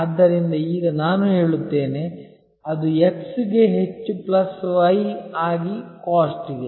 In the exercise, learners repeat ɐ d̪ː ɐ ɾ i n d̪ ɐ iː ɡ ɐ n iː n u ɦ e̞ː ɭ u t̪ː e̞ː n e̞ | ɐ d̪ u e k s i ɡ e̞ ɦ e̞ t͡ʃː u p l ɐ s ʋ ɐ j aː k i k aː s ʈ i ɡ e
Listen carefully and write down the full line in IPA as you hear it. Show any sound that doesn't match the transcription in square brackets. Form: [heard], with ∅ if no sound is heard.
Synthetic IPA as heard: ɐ d̪ː ɐ ɾ i n d̪ ɐ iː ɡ ɐ n [aː] n u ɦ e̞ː ɭ u t̪ː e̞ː n e̞ | ɐ d̪ u e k s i ɡ e̞ ɦ e̞ t͡ʃː u p l ɐ s ʋ ɐ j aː [ɡ] i k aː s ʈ i ɡ e